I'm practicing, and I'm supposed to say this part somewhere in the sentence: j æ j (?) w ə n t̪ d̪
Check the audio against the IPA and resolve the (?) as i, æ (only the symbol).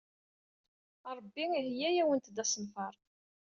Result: æ